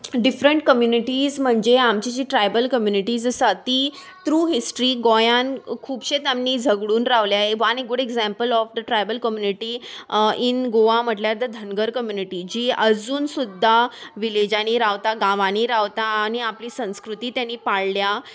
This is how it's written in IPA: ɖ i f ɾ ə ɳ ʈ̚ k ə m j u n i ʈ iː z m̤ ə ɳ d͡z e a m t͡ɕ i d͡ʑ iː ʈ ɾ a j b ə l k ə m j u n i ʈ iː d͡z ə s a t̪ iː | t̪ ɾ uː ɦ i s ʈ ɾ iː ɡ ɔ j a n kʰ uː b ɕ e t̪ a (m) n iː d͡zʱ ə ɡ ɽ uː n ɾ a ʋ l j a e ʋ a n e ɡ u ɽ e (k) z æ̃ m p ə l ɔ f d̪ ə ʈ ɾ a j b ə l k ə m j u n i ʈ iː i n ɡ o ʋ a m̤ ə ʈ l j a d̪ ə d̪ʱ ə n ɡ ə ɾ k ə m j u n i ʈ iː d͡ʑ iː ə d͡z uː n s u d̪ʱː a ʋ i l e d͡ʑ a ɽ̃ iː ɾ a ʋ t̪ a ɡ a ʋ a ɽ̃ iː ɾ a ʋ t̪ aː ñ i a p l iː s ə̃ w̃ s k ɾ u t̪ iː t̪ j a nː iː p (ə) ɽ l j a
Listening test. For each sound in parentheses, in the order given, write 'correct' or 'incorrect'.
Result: correct, incorrect: ɡ, incorrect: a

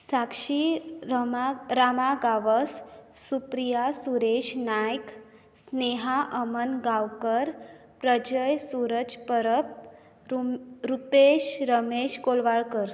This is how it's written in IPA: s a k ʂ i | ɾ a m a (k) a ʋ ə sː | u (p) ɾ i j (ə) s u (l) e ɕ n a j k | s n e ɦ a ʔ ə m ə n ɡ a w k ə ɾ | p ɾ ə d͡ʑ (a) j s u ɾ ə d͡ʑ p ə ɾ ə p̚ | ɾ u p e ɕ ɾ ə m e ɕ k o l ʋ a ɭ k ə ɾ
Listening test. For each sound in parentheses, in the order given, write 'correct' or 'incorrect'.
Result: incorrect: ɡ, correct, incorrect: a, incorrect: ɾ, incorrect: ə

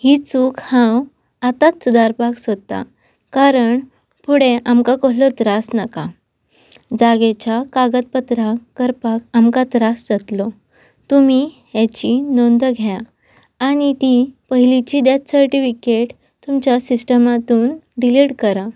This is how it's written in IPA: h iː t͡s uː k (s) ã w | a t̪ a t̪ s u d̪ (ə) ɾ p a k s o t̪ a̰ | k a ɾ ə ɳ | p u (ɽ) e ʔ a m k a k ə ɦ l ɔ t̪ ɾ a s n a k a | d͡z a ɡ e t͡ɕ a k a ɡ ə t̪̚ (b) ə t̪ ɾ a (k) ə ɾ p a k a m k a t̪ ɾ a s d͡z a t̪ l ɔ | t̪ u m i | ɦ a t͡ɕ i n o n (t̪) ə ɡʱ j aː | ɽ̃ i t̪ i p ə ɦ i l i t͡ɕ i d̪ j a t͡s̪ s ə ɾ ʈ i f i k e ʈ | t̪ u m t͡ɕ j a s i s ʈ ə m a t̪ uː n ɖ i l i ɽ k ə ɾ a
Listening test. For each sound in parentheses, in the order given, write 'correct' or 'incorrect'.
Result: incorrect: h, incorrect: a, correct, incorrect: p, correct, incorrect: d̪

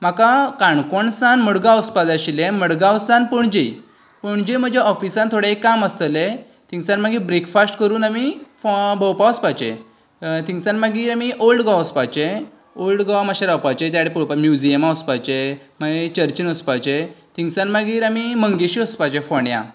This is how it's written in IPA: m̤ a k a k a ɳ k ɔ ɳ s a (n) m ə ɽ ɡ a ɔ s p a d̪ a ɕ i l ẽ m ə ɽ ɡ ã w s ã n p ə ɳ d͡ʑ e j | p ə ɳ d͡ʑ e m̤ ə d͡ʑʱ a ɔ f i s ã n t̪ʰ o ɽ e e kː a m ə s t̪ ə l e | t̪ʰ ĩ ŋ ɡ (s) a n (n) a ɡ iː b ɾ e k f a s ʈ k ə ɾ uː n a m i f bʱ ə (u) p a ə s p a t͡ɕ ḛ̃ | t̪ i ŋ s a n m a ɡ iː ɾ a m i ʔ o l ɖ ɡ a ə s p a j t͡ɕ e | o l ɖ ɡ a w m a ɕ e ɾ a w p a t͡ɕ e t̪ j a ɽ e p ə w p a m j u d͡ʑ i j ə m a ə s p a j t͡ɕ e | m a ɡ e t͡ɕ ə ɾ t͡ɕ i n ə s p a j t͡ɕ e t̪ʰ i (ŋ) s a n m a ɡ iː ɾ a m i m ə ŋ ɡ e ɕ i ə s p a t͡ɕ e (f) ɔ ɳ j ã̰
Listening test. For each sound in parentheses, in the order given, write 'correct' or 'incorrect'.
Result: correct, correct, incorrect: m, incorrect: w, correct, correct

